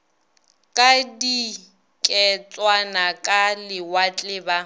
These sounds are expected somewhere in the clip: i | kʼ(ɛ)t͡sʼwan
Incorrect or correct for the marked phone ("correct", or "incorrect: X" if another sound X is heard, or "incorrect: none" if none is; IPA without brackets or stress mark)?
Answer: correct